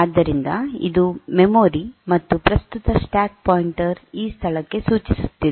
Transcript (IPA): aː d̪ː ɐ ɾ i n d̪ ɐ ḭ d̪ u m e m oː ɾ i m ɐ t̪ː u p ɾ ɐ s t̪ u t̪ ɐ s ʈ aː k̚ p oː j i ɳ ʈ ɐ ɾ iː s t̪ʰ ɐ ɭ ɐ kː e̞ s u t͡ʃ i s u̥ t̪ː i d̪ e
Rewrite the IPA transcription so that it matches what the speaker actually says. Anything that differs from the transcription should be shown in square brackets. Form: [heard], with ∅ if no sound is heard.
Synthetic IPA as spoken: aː d̪ː ɐ ɾ i n d̪ ɐ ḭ d̪ u m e m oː ɾ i m ɐ t̪ː u p ɾ ɐ s t̪ u t̪ ɐ s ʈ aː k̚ p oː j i ɳ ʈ ɐ ɾ iː s t̪ʰ ɐ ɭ ɐ kː e̞ s [uː] t͡ʃ i s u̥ t̪ː i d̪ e